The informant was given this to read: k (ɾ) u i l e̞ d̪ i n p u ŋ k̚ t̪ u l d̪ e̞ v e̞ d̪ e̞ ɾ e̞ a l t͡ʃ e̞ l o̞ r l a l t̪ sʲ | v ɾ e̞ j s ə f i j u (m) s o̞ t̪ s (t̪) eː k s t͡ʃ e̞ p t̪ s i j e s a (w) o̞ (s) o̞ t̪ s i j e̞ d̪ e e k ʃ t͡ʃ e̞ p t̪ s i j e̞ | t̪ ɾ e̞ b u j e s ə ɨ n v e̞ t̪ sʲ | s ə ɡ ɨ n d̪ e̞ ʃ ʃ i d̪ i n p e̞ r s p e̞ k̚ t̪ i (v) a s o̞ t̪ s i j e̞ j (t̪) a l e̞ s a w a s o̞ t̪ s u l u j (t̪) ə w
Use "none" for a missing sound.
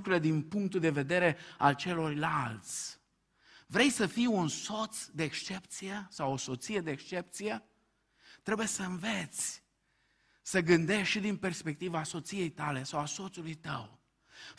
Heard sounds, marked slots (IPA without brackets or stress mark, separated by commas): ɾ, n, d̪, w, s, v, t̪, t̪